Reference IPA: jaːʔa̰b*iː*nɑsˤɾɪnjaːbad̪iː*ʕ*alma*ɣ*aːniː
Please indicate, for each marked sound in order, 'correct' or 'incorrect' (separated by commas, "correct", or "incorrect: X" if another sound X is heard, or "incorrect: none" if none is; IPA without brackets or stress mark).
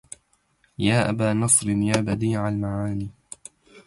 incorrect: aː, correct, incorrect: ʕ